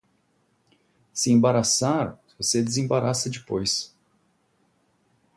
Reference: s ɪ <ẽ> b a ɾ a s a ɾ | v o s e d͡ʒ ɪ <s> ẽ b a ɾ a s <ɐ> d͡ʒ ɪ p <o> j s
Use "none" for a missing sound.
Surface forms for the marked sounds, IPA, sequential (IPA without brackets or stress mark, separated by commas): ẽ, z, ɐ, o